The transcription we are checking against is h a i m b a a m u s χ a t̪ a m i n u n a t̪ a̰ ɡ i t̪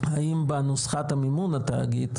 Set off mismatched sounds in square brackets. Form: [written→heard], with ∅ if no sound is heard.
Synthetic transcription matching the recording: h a i m b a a [m→n] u s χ a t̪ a m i [n→m] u n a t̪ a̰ ɡ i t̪